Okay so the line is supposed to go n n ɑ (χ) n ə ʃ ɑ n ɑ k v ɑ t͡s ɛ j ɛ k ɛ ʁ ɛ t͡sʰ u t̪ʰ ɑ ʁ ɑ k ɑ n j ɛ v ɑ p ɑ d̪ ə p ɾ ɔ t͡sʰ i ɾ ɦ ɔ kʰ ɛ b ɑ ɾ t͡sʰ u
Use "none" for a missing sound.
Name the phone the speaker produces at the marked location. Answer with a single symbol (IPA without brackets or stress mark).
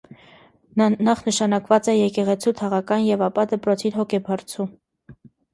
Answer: χ